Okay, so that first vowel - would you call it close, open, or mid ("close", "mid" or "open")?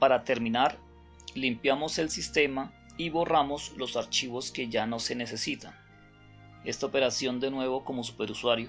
open